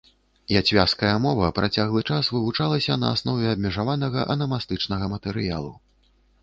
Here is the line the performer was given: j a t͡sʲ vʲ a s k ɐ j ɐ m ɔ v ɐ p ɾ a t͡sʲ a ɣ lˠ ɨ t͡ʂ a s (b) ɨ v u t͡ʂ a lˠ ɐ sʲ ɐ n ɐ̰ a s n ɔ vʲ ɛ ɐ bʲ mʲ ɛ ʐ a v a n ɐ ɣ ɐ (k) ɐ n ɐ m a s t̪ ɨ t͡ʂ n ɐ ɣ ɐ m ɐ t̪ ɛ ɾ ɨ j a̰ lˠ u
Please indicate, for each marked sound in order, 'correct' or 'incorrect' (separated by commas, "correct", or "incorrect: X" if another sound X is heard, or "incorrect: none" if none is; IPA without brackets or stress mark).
incorrect: v, incorrect: ʔ